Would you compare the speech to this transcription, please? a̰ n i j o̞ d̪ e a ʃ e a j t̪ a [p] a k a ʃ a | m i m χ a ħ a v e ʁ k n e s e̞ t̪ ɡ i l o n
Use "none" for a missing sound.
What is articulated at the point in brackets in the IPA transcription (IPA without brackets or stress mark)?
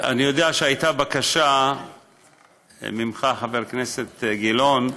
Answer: b